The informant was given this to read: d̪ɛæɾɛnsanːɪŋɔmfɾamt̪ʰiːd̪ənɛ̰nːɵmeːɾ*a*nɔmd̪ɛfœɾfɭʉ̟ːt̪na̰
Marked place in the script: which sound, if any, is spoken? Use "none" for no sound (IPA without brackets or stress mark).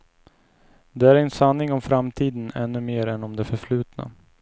ɛ